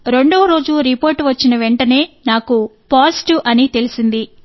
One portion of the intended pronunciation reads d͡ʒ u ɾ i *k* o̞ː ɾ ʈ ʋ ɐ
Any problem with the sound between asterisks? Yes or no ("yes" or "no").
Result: yes